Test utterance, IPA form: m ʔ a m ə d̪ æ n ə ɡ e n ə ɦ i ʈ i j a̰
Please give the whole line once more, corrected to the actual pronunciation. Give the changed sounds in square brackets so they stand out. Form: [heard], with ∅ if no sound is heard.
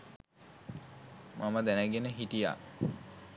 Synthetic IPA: m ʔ a m ə d̪ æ n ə ɡ e n ə ɦ i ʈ i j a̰